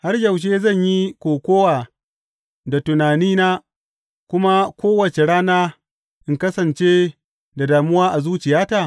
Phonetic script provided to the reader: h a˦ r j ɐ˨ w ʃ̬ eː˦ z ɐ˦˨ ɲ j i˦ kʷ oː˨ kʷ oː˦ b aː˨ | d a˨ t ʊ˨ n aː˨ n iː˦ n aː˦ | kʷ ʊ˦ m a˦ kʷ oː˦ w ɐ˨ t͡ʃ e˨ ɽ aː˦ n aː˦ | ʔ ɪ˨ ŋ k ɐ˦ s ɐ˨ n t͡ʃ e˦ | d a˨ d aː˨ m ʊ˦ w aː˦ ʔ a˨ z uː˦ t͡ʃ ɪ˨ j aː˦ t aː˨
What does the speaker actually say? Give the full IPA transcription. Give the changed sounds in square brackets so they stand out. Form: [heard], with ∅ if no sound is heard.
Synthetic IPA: h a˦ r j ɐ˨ w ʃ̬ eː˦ z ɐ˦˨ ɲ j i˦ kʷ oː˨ kʷ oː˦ [w] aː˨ | d a˨ t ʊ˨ n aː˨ n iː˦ n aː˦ | kʷ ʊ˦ m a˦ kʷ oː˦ w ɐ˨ t͡ʃ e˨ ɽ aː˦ n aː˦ | ʔ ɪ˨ ŋ k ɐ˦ s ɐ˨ n t͡ʃ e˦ | d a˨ d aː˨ m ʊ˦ w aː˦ ʔ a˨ z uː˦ t͡ʃ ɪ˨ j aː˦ t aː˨